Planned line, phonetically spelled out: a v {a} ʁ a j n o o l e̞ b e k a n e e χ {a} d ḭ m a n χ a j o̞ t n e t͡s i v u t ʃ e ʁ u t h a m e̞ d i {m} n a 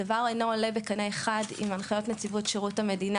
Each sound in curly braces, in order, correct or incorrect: correct, correct, incorrect: none

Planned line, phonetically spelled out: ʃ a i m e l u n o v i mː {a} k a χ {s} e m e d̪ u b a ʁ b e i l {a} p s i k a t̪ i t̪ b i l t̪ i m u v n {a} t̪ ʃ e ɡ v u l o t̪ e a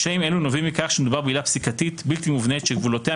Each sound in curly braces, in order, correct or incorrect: incorrect: i, incorrect: ʃ, correct, incorrect: e

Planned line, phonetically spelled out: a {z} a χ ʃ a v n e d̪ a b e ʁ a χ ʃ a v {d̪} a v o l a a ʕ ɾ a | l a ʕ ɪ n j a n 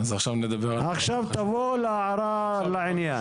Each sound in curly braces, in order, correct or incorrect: correct, incorrect: t̪

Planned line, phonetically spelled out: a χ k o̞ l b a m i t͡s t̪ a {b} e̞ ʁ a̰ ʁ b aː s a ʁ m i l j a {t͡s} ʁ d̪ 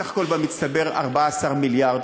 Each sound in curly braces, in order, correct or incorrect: correct, incorrect: none

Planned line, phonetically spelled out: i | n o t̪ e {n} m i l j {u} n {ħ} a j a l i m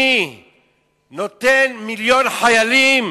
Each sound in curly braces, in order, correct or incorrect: correct, incorrect: o, correct

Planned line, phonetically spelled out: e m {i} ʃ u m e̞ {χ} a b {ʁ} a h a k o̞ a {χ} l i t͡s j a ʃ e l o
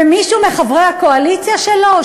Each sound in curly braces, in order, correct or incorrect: correct, correct, correct, incorrect: none

